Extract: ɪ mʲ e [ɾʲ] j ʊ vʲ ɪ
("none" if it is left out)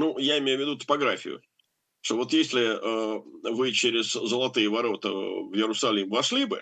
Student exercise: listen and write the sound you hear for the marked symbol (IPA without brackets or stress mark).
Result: none